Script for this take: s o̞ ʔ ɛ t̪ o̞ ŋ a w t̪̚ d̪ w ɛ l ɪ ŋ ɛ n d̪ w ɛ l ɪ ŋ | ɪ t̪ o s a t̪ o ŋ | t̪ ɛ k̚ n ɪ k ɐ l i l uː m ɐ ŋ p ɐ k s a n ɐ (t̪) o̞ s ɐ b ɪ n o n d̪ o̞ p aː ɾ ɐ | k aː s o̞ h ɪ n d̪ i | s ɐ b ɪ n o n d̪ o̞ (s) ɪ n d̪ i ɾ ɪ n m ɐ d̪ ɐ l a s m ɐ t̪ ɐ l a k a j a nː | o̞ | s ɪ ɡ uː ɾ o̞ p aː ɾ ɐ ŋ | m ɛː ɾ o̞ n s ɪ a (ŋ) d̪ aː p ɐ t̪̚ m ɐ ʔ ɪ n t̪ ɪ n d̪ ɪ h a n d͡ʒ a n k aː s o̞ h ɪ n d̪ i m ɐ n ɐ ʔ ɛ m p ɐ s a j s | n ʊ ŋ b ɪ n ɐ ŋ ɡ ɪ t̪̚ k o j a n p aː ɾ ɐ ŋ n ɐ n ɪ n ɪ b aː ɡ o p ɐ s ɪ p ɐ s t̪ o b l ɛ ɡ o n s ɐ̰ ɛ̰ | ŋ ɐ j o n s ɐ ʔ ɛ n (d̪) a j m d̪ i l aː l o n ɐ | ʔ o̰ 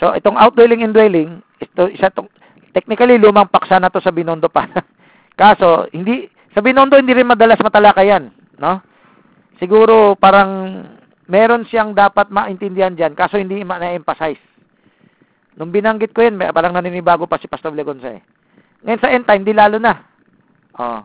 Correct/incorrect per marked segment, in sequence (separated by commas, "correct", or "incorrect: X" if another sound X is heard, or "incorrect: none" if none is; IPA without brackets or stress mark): correct, incorrect: h, correct, incorrect: t̪